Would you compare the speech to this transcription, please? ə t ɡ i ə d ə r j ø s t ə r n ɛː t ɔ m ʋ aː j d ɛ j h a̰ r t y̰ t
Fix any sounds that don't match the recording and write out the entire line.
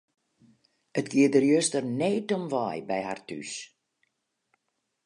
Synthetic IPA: ə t ɡ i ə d ə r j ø s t ə r n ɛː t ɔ m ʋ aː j b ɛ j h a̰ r t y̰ s